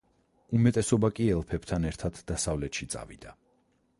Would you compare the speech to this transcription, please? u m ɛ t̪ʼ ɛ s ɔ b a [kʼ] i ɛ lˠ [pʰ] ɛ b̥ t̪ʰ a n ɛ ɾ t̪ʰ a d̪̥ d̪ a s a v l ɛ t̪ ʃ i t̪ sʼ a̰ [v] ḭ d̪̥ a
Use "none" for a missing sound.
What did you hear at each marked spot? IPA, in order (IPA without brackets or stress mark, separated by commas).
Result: kʼ, pʰ, v